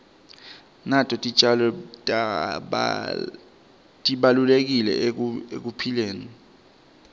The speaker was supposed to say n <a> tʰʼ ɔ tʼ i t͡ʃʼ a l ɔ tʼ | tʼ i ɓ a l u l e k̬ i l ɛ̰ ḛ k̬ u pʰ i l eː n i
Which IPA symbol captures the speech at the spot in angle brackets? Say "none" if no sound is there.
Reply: a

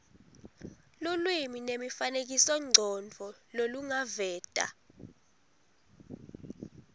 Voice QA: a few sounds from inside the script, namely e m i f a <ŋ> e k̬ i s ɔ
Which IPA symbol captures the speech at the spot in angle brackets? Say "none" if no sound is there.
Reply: n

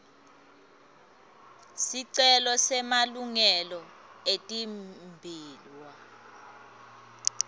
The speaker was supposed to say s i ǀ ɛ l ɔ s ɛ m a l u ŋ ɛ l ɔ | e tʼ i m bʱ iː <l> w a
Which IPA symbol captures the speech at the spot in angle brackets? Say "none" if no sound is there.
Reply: l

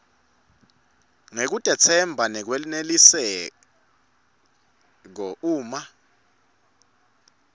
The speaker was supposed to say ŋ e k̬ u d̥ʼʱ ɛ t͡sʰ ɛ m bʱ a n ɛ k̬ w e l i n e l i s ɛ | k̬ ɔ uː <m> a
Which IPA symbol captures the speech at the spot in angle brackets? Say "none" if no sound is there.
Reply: m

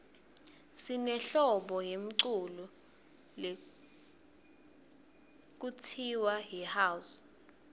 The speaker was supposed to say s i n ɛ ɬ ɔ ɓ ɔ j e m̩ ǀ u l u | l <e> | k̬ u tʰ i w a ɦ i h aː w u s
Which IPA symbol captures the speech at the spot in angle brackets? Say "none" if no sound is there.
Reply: e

